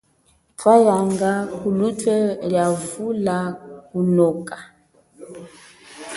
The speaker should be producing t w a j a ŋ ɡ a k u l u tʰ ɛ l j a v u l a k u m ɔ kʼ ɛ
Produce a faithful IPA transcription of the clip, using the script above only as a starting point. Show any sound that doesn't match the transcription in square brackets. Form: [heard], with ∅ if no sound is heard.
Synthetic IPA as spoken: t w a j a ŋ ɡ a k u l u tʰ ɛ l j a v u l a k u [n] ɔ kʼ [a]